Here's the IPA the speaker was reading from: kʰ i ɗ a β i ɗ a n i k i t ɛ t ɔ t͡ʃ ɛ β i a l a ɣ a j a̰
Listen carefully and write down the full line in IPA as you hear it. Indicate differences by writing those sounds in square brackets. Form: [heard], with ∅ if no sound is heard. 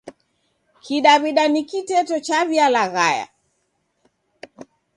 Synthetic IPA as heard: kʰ i ɗ a β i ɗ a n i k i t ɛ t ɔ t͡ʃ [a] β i a l a ɣ a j a̰